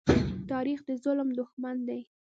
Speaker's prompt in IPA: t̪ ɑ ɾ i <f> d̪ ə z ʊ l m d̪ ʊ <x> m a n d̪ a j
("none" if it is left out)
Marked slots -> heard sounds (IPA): x, x

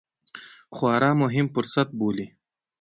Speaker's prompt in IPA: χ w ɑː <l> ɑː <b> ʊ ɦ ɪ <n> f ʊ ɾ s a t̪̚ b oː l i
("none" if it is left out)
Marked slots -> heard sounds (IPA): ɾ, m, m

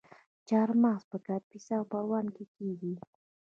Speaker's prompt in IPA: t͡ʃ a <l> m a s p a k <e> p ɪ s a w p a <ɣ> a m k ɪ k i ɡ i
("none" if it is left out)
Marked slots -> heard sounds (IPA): ɾ, a, w

